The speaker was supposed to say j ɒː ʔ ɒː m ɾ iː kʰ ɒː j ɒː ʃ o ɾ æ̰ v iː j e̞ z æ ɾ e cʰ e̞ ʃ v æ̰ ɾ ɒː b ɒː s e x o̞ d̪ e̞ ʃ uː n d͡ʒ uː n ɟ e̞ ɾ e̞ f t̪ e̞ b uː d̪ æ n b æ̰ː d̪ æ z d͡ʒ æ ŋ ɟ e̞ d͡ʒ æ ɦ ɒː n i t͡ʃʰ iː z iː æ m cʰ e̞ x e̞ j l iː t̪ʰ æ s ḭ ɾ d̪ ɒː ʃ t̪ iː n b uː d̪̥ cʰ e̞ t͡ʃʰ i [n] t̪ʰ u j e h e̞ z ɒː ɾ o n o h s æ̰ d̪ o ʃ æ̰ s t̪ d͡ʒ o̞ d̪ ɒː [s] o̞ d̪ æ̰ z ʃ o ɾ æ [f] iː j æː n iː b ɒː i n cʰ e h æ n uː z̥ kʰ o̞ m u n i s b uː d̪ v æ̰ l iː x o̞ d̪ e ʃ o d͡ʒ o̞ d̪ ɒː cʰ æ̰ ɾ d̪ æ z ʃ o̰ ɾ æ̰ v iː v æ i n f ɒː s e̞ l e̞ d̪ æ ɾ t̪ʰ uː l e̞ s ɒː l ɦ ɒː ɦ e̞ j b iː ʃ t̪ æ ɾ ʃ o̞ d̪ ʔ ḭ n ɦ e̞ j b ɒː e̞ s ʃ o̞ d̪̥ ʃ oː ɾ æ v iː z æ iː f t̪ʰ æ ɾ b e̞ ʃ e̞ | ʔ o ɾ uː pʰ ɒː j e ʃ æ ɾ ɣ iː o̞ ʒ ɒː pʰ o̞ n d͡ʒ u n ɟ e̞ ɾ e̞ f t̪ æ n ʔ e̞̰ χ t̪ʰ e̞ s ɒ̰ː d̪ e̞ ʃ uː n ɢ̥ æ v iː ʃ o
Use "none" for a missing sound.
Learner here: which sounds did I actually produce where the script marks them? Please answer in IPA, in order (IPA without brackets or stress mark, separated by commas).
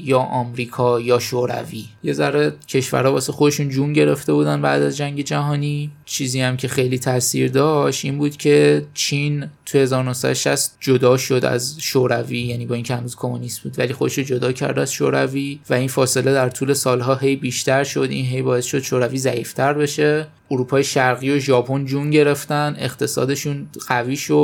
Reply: n, ʃ, v